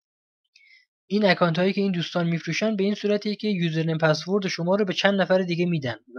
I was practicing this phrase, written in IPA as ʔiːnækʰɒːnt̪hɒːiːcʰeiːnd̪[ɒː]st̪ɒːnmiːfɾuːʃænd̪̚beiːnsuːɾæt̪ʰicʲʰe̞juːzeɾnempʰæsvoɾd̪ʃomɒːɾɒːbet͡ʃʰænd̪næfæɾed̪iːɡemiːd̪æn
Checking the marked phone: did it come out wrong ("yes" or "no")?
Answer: yes